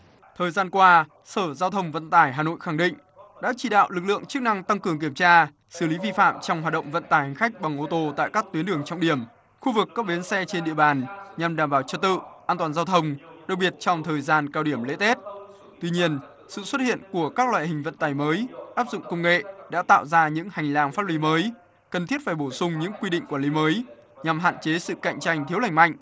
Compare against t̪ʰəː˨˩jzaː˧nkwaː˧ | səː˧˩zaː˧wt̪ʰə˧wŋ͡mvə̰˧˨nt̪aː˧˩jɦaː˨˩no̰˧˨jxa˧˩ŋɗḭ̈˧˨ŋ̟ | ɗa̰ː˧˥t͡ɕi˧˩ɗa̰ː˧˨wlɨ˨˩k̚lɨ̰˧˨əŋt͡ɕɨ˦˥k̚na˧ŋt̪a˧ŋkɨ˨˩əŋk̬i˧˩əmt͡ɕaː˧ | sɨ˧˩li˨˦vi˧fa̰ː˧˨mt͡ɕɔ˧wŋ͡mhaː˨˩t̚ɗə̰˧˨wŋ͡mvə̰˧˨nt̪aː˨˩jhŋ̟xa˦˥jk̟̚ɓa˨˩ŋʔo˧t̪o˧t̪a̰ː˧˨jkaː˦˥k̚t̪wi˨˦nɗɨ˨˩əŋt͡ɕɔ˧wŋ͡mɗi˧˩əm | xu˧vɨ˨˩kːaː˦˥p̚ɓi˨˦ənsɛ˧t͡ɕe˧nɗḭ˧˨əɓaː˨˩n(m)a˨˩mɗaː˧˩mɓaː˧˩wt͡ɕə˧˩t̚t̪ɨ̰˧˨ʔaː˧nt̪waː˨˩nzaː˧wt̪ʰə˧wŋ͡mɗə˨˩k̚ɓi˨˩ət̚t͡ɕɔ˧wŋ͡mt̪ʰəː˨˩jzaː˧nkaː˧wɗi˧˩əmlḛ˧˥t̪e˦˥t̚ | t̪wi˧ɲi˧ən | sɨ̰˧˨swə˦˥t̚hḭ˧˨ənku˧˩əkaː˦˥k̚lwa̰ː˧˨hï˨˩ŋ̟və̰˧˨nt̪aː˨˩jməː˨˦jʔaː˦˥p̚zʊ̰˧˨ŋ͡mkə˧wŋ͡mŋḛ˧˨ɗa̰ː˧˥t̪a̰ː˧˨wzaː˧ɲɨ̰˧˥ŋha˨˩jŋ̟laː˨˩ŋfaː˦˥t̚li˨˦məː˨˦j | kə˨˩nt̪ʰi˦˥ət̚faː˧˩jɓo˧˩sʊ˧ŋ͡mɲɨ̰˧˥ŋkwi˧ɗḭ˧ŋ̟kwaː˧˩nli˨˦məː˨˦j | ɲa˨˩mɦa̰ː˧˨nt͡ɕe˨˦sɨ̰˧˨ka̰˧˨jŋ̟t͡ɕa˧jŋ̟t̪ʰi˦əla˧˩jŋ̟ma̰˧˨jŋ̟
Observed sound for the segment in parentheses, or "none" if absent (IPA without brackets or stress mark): ɲ